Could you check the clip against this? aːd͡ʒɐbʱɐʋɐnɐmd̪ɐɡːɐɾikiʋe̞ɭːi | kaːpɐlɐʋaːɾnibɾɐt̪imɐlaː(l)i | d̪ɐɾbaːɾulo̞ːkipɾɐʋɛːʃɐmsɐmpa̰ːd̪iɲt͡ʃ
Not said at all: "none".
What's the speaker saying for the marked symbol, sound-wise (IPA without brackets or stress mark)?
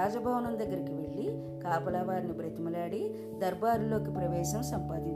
ɽ